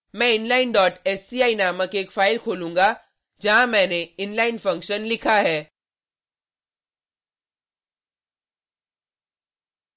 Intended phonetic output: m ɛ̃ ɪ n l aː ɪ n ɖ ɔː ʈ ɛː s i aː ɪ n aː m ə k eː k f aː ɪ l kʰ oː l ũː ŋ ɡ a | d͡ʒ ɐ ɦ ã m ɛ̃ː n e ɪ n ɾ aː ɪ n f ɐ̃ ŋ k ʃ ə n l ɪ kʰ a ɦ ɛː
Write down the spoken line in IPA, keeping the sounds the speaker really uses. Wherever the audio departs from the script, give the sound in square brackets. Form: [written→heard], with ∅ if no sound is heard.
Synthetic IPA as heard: m ɛ̃ ɪ n l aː ɪ n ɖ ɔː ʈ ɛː s i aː [ɪ→i] n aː m ə k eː k f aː ɪ l kʰ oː l ũː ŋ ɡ a | d͡ʒ ɐ ɦ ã m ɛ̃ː n e ɪ n [ɾ→l] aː ɪ n f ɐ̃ ŋ k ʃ ə n l ɪ kʰ a ɦ ɛː